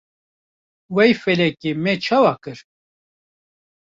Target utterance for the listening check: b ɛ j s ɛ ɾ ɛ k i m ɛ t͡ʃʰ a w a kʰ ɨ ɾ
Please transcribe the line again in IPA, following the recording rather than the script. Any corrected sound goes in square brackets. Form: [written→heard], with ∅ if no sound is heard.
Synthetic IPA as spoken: [b→w] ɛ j [s→f] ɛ [ɾ→l] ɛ k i m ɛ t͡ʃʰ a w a [kʰ→k] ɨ ɾ